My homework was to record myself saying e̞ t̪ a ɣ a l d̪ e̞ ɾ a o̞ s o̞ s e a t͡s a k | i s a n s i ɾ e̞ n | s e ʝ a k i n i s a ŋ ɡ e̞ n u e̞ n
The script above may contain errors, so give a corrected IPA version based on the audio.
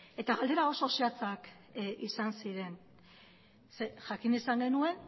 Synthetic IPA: e̞ t̪ a ɣ a l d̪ e̞ ɾ a o̞ s o̞ s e a t͡s a k | i s a n s i ɾ e̞ n | s e ʝ a k i n i s a ŋ ɡ e̞ n u e̞ n